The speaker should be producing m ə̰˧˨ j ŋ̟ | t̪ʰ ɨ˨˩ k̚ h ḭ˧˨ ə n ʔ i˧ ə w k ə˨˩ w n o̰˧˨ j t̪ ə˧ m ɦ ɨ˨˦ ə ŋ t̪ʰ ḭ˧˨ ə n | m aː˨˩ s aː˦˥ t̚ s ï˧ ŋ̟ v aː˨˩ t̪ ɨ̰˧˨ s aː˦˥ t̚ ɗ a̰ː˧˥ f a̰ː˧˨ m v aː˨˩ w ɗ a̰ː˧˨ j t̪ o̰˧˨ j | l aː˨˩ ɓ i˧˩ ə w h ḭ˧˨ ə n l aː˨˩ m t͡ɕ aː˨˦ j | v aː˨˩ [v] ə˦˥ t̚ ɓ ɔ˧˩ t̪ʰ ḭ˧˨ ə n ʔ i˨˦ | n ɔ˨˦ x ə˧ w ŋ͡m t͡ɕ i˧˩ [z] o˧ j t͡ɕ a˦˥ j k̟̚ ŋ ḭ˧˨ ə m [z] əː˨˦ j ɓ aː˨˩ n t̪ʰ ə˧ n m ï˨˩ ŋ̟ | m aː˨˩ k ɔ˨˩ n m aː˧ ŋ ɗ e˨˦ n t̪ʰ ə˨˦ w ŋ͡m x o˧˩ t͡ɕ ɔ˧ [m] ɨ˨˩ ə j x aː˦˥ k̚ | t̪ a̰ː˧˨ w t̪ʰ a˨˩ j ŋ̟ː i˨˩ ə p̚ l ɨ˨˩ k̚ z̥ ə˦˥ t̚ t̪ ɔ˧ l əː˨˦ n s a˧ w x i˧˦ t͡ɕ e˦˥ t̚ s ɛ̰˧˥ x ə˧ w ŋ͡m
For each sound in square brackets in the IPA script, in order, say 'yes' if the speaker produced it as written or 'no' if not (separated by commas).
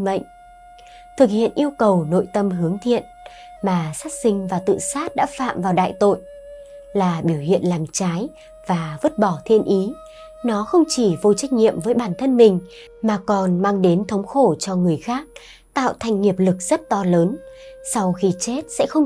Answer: yes, no, no, no